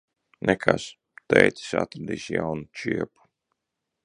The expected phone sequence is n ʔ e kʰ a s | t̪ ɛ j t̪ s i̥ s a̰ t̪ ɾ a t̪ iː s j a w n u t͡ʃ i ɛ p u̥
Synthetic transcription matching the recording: n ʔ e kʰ a s | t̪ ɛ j t̪ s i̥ s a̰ t̪ ɾ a d̪ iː s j a w n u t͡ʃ i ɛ p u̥